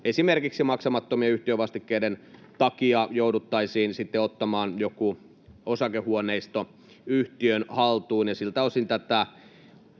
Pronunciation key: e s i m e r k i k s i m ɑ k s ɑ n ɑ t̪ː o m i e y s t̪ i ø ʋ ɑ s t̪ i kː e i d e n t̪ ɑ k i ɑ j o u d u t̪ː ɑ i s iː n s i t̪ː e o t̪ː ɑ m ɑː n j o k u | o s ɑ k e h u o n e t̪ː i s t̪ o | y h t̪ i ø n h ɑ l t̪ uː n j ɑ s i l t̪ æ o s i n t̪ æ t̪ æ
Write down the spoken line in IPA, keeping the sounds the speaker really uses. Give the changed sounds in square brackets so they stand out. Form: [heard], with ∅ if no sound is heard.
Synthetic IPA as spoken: e s i m e r k i k s i m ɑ k s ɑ [m] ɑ t̪ː o m i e y [h] t̪ i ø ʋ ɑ s t̪ i kː e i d e n t̪ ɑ k i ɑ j o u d u t̪ː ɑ i s iː n s i t̪ː e o t̪ː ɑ m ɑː n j o k u | o s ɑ k e h u o n e [∅] i s t̪ o | y h t̪ i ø n h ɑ l t̪ uː n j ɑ s i l t̪ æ o s i n t̪ æ t̪ æ